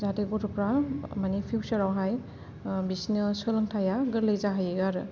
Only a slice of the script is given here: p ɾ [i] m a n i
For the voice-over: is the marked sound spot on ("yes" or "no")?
no